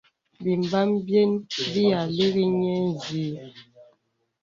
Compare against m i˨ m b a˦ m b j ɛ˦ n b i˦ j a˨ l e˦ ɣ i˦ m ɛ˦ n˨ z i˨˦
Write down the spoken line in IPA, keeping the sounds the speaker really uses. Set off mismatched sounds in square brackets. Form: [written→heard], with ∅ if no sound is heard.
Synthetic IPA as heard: [m→b] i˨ m b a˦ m b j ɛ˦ n b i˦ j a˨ l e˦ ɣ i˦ [m→ɲ] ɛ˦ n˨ z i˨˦